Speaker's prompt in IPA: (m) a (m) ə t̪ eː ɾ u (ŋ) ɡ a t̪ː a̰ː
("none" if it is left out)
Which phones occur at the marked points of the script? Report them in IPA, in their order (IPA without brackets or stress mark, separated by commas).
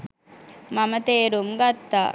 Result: m, m, m